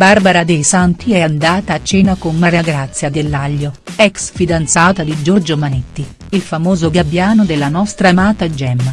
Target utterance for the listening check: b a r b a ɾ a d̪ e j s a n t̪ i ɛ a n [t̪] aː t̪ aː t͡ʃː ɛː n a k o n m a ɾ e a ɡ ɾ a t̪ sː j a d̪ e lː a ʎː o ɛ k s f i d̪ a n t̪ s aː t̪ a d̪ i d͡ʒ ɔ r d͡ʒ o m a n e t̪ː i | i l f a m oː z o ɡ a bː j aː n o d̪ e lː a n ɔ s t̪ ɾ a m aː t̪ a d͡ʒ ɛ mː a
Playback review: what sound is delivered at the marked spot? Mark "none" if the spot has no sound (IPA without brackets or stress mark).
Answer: d̪